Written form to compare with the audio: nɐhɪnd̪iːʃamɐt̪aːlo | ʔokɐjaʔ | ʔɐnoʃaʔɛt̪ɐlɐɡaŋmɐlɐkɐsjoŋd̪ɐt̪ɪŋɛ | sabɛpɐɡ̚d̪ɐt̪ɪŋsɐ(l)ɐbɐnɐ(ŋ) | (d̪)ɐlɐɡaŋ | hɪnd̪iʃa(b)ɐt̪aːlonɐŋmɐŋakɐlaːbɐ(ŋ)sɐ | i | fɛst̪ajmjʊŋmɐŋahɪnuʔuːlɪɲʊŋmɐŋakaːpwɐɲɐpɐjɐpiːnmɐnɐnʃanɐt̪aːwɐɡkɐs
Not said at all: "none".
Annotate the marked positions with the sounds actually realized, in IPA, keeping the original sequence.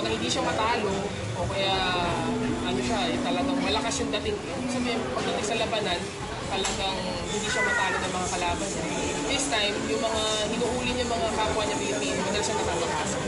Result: l, n, t̪, m, n

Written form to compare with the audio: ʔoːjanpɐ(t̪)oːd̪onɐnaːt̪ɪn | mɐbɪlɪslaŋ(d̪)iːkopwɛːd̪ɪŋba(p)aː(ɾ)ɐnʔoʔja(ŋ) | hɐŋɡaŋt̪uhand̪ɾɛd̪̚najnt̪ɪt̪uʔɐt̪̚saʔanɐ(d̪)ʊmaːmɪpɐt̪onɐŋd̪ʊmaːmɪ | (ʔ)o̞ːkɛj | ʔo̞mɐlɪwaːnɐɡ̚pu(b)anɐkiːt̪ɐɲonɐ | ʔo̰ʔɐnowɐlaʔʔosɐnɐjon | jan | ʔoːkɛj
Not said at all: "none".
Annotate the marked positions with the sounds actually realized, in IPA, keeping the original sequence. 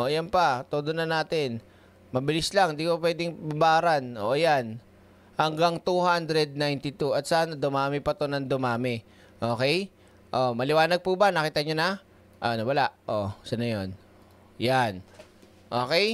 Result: t̪, d̪, b, ɾ, n, d̪, ʔ, b

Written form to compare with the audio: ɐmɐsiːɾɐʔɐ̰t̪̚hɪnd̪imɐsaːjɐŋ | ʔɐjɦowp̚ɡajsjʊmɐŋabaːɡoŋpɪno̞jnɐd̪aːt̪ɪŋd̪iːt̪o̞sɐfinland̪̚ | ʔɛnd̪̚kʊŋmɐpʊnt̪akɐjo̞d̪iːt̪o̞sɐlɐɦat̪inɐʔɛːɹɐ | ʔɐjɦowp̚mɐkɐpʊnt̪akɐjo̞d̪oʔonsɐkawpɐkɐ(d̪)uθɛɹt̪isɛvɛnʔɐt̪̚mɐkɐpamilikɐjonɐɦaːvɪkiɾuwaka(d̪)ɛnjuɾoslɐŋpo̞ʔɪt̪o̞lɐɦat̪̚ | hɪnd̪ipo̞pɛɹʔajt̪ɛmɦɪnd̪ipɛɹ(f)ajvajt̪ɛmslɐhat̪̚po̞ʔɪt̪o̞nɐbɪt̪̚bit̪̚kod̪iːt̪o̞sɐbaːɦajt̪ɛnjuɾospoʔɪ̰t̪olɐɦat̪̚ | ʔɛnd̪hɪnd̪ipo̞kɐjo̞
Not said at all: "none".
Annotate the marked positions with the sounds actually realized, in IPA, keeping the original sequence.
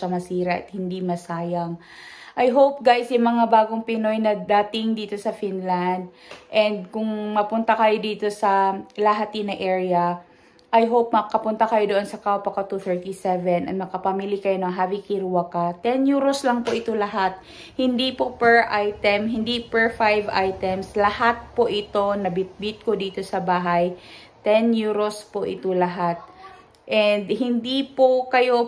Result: t̪, t̪, f

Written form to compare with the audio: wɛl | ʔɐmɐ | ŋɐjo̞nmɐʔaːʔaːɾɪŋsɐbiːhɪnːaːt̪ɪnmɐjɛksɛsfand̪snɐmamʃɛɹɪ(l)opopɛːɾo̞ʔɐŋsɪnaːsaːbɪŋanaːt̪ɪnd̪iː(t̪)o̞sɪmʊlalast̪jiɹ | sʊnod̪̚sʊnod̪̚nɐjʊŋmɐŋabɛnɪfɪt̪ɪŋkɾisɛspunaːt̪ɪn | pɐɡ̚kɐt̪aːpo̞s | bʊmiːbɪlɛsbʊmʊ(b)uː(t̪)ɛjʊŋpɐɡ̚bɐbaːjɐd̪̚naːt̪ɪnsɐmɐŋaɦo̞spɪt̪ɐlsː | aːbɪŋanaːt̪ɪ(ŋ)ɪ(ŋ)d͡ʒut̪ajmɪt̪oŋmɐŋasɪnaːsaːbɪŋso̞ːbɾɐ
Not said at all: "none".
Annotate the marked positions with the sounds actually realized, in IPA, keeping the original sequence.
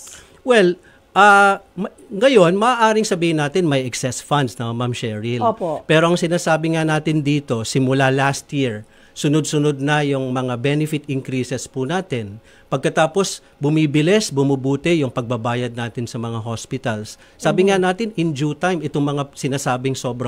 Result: l, t̪, b, t̪, n, n

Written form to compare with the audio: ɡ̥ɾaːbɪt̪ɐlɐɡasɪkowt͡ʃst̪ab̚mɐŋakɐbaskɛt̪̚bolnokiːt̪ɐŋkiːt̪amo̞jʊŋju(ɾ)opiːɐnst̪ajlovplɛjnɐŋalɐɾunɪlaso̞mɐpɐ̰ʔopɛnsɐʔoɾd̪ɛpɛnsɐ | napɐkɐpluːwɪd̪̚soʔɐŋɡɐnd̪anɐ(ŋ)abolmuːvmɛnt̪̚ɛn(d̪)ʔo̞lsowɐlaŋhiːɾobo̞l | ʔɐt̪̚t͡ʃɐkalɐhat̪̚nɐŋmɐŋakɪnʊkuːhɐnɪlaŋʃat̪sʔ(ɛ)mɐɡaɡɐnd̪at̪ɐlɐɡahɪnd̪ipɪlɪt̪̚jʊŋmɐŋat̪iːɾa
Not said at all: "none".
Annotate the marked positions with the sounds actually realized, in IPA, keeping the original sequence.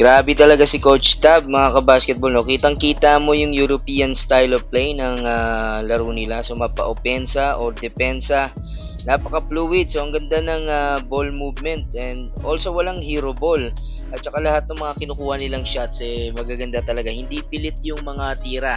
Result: ɾ, ŋ, d̪, ɛ

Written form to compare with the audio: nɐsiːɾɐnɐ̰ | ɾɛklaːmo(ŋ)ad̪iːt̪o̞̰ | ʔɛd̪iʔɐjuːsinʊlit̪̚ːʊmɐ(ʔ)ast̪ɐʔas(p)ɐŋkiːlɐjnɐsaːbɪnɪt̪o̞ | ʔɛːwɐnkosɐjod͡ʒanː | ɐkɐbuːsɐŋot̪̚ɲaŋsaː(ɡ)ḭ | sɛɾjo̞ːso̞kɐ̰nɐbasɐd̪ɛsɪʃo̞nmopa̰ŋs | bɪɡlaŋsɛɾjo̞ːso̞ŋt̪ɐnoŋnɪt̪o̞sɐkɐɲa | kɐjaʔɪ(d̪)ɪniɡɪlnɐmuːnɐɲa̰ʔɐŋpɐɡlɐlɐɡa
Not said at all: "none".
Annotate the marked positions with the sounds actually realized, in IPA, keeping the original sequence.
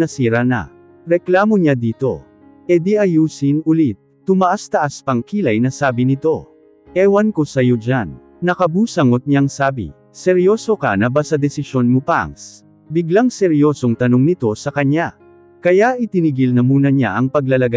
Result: ɲ, ʔ, p, b, t̪

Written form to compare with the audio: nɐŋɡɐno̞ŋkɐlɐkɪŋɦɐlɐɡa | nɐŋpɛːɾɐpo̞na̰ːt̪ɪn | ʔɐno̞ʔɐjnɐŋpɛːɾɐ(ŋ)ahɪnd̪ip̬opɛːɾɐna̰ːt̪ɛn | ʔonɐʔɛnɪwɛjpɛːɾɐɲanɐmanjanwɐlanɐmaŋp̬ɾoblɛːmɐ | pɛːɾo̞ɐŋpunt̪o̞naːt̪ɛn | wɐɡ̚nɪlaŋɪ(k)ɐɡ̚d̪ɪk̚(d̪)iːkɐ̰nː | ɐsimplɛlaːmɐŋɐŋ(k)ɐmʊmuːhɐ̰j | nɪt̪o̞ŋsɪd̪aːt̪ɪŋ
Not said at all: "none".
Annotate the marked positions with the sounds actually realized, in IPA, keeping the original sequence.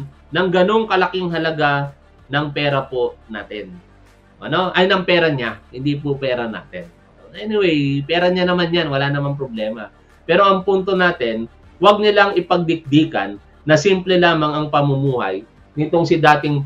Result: ɲ, p, d̪, p

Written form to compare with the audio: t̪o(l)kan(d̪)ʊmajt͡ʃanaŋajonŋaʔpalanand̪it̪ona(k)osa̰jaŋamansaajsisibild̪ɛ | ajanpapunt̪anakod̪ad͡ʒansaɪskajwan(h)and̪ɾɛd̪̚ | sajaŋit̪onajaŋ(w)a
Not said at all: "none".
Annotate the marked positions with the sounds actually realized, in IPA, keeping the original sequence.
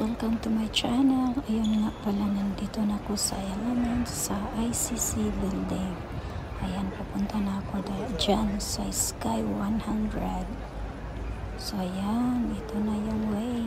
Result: l, t̪, k, h, w

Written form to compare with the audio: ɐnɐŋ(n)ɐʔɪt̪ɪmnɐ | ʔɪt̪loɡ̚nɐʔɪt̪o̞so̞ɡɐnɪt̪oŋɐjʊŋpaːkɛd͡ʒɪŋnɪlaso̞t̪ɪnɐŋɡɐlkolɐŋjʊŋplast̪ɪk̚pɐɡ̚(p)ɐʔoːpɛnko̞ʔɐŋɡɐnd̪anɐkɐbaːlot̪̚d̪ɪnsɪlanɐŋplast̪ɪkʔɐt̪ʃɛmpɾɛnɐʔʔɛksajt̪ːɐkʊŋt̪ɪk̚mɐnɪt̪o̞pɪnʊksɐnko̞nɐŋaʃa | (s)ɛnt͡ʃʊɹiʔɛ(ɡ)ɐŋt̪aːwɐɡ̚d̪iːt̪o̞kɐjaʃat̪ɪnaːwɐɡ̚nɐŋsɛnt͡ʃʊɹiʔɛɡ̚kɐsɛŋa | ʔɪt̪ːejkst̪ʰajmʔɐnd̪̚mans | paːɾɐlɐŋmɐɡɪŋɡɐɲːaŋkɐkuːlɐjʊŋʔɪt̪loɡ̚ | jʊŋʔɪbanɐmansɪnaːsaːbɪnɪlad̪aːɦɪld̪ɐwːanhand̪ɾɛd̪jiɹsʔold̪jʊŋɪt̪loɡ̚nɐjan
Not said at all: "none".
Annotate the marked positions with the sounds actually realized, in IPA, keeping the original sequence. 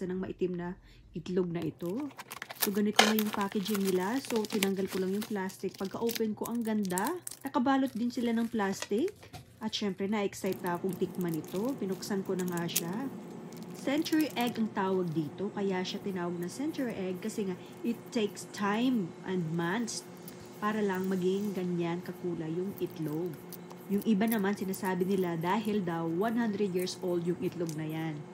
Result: m, k, s, ɡ

